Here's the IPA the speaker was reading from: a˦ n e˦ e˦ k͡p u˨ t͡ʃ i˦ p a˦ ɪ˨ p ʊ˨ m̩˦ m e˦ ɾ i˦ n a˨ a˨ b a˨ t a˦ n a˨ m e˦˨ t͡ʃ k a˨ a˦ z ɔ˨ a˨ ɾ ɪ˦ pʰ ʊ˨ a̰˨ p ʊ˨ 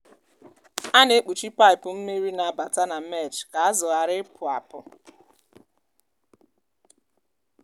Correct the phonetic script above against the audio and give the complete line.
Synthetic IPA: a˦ n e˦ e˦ k͡p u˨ t͡ʃ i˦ p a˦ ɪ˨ p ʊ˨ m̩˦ m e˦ ɾ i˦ n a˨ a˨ b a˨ t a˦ n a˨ m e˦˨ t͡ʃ k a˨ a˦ z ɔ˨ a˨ ɾ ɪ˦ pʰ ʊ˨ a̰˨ p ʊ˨

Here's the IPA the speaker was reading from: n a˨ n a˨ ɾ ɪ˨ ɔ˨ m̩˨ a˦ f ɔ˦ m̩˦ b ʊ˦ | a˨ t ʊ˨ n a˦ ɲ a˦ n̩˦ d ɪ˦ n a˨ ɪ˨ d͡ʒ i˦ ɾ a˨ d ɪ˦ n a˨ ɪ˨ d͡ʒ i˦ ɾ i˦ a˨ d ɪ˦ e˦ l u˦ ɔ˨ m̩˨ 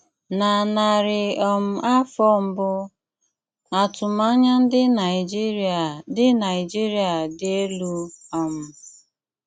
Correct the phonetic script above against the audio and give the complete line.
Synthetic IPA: n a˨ n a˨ ɾ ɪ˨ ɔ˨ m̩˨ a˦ f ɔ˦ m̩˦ b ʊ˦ | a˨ t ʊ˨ m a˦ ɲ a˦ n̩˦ d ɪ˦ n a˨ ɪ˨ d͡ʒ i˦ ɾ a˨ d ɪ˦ n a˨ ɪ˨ d͡ʒ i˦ ɾ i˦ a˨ d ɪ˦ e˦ l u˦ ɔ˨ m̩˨

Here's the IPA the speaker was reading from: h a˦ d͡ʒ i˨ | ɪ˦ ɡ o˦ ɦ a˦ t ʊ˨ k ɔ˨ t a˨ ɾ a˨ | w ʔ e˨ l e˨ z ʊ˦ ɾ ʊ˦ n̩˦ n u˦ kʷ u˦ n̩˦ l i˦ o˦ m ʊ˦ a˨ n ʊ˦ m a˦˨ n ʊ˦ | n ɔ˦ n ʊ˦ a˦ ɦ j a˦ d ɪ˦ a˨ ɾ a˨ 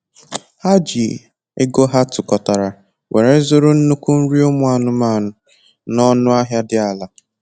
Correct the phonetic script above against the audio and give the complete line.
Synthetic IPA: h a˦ d͡ʒ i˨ | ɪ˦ ɡ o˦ ɦ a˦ t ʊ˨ k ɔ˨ t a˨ ɾ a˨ | w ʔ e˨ ɾ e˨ z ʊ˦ ɾ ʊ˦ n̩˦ n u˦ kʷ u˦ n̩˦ ɾ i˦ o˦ m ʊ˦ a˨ n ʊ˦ m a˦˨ n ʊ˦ | n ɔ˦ n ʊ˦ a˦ ɦ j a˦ d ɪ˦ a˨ l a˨

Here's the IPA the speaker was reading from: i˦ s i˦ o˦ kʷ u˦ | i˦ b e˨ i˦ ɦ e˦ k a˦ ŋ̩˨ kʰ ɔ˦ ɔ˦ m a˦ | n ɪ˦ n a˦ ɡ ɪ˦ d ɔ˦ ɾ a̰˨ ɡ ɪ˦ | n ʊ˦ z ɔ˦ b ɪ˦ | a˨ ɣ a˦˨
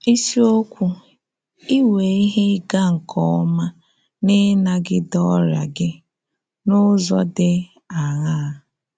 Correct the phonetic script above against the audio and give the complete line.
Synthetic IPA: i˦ s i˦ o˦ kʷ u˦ | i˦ w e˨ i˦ ɦ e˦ ɡ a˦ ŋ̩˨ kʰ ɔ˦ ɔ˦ m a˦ | n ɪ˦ n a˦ ɡ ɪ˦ d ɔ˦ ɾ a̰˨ ɡ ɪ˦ | n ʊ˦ z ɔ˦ d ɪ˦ | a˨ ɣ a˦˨

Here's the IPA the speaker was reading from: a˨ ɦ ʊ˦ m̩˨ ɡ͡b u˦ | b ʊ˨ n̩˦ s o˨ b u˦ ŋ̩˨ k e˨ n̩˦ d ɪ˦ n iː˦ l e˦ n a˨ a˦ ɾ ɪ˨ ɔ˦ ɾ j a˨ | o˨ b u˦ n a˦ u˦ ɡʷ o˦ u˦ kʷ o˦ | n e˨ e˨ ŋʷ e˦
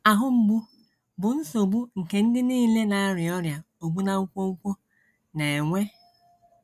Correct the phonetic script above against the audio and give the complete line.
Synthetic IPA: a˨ ɦ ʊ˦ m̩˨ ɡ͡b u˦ | b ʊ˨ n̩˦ s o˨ b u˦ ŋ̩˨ k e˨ n̩˦ d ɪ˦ n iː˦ l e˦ n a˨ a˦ ɾ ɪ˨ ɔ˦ ɾ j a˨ | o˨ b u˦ n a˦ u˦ kʷ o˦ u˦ kʷ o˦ | n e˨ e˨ ŋʷ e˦

